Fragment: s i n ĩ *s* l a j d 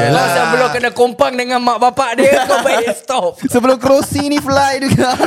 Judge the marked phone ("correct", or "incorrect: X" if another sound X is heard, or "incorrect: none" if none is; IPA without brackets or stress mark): incorrect: f